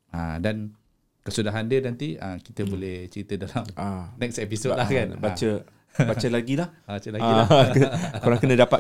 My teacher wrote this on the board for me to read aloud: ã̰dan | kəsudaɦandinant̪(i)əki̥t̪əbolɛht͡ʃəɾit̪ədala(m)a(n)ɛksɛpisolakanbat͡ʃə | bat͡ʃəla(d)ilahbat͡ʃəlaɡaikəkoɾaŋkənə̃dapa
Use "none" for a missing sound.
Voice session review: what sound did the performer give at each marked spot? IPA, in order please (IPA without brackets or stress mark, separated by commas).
i, m, n, ɡ